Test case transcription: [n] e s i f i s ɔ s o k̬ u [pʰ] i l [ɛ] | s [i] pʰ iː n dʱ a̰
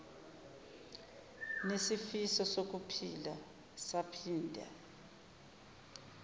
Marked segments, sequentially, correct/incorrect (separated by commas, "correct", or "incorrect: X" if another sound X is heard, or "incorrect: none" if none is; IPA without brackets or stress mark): correct, correct, incorrect: a, incorrect: a